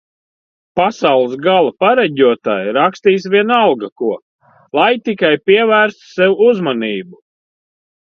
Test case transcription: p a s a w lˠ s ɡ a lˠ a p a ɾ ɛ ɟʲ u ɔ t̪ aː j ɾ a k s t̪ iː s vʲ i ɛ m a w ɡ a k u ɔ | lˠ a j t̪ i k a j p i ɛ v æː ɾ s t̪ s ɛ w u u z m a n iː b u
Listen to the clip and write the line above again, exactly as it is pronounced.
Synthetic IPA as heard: p a s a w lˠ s ɡ a lˠ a p a ɾ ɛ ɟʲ u ɔ t̪ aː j ɾ a k s t̪ iː s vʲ i ɛ n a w ɡ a k u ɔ | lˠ a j t̪ i k a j p i ɛ v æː ɾ s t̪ s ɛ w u u z m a n iː b u